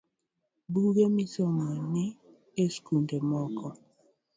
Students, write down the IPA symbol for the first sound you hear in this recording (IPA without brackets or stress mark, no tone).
b